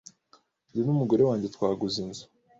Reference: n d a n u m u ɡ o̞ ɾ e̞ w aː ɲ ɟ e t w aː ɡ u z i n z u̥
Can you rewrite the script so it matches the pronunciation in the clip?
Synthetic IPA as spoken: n d i n u m u ɡ o̞ ɾ e̞ w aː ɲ ɟ e t w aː ɡ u z i n z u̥